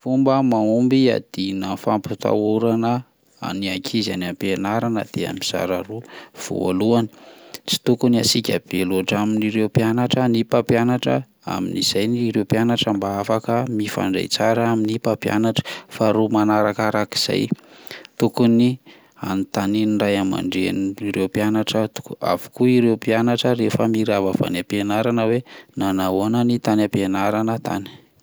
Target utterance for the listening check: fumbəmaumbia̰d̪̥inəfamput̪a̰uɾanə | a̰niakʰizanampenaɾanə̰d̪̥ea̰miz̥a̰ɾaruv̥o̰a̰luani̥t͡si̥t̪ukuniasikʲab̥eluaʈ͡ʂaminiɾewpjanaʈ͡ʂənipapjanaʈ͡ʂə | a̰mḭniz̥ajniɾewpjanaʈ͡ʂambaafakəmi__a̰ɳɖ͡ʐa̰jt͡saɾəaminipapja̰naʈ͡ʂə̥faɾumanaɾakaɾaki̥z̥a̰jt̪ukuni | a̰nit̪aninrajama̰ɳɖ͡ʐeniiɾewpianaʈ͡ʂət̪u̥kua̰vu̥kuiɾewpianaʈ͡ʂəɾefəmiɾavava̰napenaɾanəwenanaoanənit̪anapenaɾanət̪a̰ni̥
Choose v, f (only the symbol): f